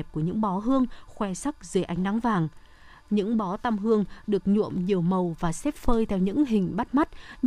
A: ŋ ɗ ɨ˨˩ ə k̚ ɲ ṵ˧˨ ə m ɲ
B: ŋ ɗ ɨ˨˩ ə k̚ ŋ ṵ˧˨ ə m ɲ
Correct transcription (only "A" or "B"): A